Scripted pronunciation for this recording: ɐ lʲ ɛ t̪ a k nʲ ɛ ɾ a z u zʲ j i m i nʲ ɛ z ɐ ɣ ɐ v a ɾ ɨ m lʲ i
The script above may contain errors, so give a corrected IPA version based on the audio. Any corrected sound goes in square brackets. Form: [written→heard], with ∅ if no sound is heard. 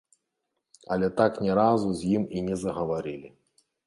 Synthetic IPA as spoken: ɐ lʲ ɛ t̪ a k nʲ ɛ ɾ a z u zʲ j i m i nʲ ɛ z ɐ ɣ ɐ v a ɾ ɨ [m→∅] lʲ i